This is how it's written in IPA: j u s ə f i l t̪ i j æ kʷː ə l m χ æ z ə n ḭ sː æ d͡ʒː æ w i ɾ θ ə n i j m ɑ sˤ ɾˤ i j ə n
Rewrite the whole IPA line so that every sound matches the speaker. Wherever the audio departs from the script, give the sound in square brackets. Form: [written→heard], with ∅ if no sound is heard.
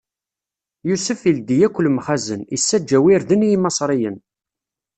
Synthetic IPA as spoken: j u s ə f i l [t̪→d̪] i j æ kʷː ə l m χ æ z ə n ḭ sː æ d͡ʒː æ w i ɾ [θ→ð] ə n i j m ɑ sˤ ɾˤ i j ə n